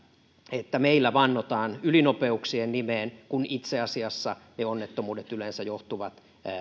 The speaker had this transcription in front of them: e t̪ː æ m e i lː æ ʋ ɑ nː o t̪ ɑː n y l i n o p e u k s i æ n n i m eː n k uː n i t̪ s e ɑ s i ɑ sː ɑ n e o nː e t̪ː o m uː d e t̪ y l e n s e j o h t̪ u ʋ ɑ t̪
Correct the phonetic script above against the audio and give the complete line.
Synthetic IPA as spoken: e t̪ː æ m e i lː æ ʋ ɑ nː o t̪ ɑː n y l i n o p e u k s i e n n i m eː n k u n i t̪ s e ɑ s i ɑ sː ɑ n e o nː e t̪ː o m uː d e t̪ y l e n s æ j o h t̪ u ʋ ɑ t̪